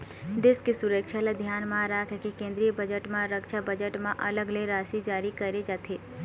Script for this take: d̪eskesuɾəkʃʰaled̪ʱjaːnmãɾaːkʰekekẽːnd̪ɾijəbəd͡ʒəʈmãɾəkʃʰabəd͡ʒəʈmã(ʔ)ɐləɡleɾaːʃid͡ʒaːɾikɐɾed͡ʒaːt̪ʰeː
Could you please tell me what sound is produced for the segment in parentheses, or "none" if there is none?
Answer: ʔ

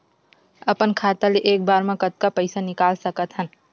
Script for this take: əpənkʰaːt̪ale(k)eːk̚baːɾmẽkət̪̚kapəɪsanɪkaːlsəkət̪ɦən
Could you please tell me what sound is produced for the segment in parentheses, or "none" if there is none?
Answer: ʔ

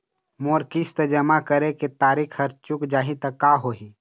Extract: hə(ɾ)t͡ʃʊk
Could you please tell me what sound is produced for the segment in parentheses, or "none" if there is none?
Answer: ɾ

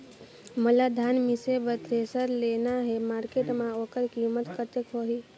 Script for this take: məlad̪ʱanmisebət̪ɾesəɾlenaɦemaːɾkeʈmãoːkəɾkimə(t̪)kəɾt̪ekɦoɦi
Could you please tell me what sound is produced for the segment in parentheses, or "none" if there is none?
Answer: t̪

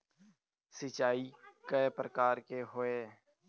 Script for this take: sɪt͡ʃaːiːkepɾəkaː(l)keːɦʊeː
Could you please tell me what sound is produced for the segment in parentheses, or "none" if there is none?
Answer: ɾ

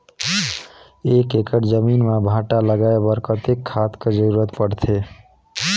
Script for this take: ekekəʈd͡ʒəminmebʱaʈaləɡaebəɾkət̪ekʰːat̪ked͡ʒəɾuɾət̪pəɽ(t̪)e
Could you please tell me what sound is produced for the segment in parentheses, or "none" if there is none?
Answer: t̪ʰ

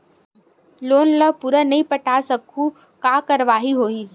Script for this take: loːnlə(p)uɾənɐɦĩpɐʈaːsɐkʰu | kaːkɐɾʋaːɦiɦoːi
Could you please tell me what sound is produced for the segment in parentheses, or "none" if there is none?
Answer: p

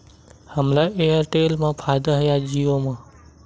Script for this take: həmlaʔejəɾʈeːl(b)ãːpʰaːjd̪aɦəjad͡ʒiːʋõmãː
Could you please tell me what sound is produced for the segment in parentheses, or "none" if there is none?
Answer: m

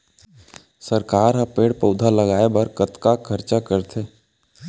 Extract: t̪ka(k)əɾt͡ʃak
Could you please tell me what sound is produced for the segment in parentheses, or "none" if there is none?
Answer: kʰ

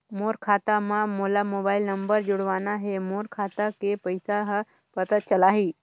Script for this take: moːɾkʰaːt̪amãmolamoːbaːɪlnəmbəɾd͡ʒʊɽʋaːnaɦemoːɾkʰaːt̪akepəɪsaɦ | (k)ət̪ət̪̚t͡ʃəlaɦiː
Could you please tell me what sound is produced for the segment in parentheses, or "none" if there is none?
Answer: p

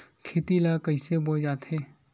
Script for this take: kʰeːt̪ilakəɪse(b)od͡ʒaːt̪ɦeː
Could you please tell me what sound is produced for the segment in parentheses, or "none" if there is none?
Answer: b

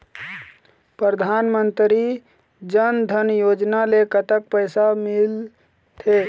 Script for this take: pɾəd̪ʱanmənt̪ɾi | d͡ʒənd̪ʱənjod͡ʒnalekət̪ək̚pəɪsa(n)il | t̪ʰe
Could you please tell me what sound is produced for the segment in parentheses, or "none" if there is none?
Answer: m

